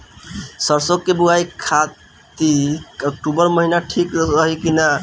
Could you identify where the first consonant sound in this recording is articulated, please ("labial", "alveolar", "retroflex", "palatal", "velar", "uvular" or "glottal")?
alveolar